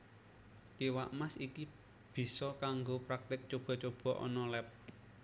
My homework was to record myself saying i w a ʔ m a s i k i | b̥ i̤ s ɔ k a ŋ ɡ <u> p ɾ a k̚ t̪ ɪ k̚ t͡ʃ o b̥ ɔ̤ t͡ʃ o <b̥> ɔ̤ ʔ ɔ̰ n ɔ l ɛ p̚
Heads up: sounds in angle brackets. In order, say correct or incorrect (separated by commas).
incorrect, correct